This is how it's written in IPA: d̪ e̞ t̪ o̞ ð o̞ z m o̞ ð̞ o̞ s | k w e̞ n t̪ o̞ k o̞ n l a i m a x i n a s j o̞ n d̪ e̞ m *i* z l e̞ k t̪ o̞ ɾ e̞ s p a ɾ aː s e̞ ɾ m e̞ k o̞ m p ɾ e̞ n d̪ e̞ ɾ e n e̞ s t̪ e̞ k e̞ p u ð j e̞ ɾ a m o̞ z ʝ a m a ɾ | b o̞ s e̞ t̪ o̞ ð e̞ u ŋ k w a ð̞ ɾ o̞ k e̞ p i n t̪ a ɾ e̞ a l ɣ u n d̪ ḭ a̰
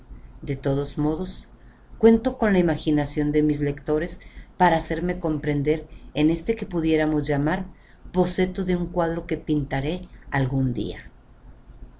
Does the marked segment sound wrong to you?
no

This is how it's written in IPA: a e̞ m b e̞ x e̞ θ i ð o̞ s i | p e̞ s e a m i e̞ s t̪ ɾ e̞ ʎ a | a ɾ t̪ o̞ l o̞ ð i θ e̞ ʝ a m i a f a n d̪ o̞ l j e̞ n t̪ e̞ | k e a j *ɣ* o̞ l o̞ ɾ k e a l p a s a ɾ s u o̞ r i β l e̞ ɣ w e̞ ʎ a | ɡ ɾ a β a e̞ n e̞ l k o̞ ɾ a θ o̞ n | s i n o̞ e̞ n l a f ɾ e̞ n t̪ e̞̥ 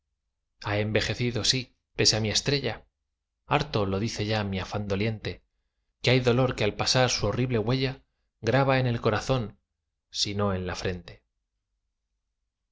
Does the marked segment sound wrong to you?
yes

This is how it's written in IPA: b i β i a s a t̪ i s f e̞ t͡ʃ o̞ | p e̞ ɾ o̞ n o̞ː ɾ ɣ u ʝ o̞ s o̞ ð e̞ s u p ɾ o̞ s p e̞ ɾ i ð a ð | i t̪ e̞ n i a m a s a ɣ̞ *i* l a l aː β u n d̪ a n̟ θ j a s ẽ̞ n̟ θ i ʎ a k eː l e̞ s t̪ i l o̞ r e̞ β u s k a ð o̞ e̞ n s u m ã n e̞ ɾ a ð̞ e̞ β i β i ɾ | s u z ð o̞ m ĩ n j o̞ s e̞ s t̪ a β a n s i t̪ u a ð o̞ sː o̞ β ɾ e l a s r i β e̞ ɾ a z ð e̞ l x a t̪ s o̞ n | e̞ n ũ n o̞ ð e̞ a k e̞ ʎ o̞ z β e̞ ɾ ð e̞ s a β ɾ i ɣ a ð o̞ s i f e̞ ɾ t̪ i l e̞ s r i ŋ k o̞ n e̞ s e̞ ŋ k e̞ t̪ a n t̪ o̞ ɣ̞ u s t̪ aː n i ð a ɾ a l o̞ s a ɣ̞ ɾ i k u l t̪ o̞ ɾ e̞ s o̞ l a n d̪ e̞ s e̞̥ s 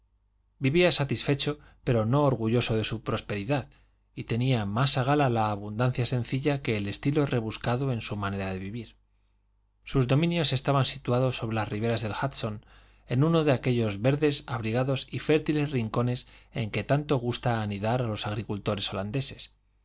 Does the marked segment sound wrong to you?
yes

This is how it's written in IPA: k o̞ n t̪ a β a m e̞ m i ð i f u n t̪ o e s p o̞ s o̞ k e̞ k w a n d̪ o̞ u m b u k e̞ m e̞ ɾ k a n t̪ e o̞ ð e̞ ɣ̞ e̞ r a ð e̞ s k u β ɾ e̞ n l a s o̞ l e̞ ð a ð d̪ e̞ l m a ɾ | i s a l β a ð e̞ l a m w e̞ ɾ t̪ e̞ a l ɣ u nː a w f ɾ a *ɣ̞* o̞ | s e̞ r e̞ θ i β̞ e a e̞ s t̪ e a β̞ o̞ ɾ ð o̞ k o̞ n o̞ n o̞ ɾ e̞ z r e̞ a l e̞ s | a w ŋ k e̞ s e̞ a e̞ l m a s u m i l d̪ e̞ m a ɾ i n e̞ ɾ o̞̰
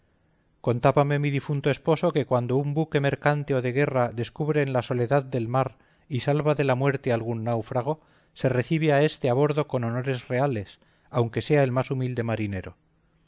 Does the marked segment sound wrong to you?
no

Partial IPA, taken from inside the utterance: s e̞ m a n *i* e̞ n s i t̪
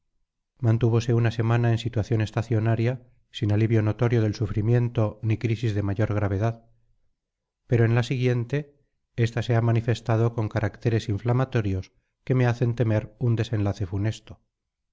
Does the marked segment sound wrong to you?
yes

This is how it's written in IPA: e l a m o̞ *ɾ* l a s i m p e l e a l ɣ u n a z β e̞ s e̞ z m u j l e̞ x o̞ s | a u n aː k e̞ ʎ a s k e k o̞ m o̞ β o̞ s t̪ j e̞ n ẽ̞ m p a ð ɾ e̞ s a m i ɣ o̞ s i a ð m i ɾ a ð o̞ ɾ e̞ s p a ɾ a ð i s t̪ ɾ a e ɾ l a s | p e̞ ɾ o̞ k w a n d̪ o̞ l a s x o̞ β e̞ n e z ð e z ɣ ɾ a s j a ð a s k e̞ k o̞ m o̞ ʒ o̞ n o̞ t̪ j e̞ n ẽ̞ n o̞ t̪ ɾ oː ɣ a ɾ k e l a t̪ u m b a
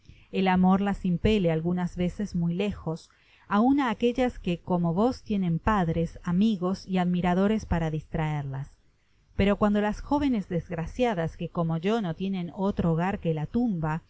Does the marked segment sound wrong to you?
no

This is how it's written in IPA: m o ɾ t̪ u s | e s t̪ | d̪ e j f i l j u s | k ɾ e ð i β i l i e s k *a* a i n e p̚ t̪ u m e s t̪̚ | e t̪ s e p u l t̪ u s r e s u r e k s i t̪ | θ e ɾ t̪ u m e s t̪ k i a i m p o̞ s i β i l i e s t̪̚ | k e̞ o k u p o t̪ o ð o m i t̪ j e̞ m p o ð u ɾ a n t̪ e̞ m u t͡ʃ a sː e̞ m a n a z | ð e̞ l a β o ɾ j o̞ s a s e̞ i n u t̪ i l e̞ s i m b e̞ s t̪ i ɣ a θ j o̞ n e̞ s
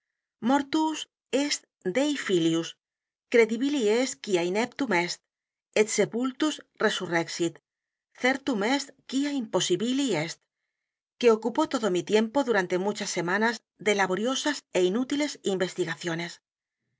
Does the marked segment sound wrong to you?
yes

